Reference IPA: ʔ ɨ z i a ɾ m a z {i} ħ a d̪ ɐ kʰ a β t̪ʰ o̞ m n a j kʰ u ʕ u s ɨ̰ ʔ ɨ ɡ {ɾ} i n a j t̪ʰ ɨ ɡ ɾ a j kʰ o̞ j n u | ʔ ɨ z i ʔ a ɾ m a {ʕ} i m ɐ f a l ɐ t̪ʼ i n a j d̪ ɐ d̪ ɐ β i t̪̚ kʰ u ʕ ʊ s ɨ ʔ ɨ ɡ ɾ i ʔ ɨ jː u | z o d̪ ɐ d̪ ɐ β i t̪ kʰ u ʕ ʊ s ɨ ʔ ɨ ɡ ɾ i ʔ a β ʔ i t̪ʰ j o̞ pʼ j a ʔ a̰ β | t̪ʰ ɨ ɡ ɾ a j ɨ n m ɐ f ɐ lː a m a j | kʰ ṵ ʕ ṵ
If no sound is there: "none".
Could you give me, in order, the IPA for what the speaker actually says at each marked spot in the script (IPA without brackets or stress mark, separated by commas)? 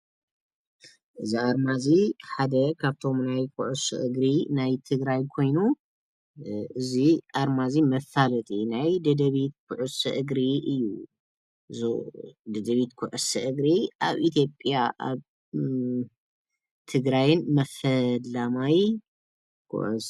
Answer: i, ɾ, z